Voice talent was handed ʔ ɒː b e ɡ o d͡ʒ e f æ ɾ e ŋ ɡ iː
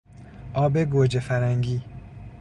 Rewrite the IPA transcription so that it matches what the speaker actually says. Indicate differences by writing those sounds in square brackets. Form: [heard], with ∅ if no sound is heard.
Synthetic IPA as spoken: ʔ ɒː b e ɡ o d͡ʒ e f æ ɾ [æ] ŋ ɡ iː